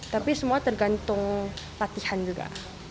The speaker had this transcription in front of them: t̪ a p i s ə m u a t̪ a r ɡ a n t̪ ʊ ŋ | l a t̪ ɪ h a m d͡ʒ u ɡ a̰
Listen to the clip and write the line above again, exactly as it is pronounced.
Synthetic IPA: t̪ a p i s ə m u a t̪ ə r ɡ a n t̪ ʊ ŋ | l a t̪ i h a n d͡ʒ u ɡ a̰